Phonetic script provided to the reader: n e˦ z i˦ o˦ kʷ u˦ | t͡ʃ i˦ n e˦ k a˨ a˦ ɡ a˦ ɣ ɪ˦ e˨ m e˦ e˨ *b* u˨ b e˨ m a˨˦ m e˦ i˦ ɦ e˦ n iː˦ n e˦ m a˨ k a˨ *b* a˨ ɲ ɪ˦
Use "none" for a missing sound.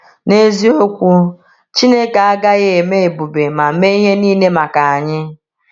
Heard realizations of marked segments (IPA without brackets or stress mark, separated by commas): b, none